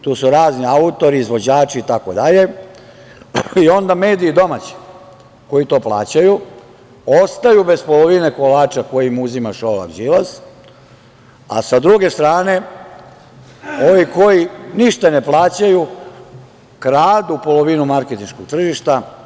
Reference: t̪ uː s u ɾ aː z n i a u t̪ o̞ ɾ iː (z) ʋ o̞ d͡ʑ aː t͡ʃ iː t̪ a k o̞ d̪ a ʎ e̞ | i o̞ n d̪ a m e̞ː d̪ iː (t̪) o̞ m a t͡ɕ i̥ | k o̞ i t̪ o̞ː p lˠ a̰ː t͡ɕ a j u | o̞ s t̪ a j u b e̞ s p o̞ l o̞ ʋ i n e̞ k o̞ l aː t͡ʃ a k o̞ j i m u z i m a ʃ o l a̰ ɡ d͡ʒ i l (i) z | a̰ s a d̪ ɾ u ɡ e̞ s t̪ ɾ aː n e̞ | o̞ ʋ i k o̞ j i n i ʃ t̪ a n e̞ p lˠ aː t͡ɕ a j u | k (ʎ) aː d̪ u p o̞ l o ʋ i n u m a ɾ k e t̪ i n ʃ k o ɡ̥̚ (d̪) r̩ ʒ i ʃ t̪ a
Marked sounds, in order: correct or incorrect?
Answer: correct, incorrect: d̪, incorrect: a, incorrect: ɾ, incorrect: t̪

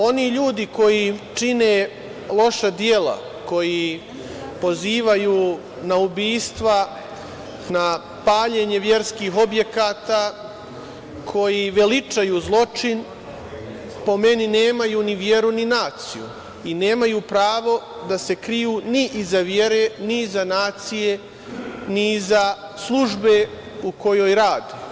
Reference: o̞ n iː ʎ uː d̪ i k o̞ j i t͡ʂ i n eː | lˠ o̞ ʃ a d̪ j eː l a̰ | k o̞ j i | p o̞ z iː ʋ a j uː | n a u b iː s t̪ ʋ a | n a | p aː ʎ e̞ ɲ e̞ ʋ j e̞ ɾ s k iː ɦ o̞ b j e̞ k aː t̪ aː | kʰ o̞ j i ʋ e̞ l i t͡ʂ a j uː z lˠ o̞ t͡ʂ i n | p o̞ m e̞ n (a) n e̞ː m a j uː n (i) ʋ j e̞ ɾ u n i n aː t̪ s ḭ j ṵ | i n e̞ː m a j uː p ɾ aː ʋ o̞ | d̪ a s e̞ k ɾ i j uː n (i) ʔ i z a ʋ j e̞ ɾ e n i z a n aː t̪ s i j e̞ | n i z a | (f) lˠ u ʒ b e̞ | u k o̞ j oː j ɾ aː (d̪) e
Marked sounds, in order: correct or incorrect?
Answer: incorrect: i, correct, correct, incorrect: s, correct

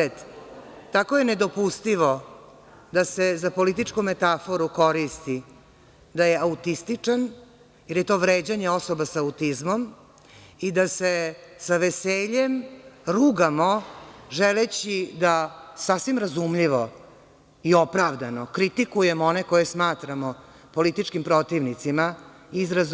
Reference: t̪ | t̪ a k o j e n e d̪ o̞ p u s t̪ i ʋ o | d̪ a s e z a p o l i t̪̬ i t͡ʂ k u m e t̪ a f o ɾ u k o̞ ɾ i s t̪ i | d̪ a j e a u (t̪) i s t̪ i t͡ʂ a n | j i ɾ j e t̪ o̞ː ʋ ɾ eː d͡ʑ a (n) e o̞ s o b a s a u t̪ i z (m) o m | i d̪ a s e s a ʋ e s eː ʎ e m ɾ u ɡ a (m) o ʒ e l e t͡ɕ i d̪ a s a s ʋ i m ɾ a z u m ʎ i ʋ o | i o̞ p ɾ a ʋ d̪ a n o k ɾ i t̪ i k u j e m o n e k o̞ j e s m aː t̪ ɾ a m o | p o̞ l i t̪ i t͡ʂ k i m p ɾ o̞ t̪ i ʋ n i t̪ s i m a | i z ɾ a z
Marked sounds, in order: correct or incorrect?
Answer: correct, incorrect: ɲ, correct, correct

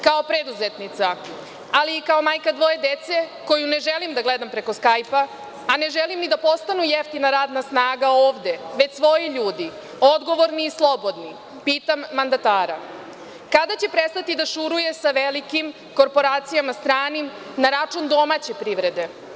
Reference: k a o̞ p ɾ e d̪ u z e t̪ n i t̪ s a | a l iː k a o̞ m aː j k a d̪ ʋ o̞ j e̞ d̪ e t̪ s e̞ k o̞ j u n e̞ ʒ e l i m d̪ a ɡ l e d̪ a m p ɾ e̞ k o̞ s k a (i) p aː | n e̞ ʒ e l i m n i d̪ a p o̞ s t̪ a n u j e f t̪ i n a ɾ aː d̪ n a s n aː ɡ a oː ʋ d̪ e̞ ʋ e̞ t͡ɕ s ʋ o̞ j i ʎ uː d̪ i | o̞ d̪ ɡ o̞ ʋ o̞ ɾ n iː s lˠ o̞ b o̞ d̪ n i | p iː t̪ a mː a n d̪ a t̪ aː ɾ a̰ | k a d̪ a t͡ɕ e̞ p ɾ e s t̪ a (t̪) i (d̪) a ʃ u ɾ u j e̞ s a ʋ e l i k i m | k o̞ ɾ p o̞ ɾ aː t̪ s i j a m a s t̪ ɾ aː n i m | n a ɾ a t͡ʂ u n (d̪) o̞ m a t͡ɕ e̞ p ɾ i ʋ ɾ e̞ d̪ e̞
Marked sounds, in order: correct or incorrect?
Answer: incorrect: j, correct, correct, correct

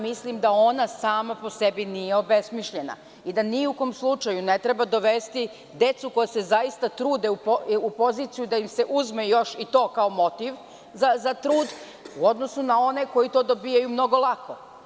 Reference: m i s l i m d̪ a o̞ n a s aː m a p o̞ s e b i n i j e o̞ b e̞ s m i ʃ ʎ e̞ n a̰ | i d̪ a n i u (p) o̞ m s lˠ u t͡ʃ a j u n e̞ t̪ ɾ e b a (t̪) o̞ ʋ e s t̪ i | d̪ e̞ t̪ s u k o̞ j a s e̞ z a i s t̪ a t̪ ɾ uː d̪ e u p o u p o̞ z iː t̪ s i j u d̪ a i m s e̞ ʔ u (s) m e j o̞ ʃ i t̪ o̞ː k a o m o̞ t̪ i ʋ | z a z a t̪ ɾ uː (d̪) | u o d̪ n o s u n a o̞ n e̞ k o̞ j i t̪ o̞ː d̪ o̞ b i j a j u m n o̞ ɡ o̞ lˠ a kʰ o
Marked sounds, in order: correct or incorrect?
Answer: incorrect: k, incorrect: d̪, incorrect: z, correct

